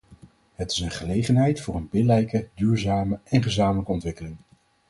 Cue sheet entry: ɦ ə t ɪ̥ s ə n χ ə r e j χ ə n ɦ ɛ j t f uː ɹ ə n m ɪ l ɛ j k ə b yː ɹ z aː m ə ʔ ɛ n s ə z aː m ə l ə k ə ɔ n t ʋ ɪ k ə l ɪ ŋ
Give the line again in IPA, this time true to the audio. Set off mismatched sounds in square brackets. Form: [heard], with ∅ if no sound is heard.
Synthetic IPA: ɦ ə t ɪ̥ s ə n χ ə [l] e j χ ə n ɦ ɛ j t f [ʊː] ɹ ə n [b] ɪ l ɛ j k ə [d] yː ɹ z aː m ə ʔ ɛ n [χ] ə z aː m ə l ə k ə ɔ n t ʋ ɪ k ə l ɪ ŋ

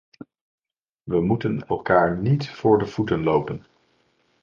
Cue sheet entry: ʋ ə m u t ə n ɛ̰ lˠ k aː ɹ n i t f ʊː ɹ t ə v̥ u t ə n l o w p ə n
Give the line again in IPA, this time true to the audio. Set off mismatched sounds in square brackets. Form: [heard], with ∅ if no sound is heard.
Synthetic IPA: ʋ ə m u t ə n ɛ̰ lˠ k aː ɹ n i t f ʊː ɹ [d] ə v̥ u t ə n l o w p ə n

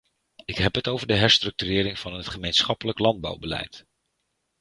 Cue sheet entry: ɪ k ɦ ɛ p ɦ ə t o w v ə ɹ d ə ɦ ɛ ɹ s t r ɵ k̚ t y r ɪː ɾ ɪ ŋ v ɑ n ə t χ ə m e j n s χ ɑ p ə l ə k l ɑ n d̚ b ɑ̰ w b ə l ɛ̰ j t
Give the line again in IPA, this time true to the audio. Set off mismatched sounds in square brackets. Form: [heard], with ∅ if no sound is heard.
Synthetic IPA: ɪ k ɦ ɛ p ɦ ə t o w v ə ɹ d ə ɦ ɛ ɹ s t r ɵ k̚ t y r ɪː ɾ ɪ ŋ v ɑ n ə t χ ə m e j n s χ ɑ p ə l ə k l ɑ n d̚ b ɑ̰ w b ə l ɛ̰ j t

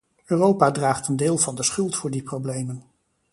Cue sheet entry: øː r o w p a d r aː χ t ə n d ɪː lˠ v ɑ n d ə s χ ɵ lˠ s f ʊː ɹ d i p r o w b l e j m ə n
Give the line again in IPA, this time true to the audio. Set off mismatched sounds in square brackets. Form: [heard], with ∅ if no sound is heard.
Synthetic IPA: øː r o w p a d r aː χ t ə n d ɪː lˠ v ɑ n d ə s χ ɵ lˠ [t] f ʊː ɹ d i p r o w b l e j m ə n

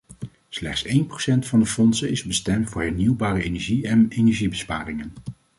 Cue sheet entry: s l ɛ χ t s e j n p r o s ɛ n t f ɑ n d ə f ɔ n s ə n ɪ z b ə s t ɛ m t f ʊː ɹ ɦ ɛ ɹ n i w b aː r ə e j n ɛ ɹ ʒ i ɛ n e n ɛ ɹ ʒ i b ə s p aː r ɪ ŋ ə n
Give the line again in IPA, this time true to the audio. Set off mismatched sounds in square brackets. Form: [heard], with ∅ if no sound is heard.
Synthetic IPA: s l ɛ χ t s e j n p r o s ɛ n t f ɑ n d ə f ɔ n s ə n ɪ z b ə s t ɛ m t f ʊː ɹ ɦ ɛ ɹ n i w b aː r ə e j n ɛ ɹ ʒ i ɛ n e n ɛ ɹ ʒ i b ə s p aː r ɪ ŋ ə n

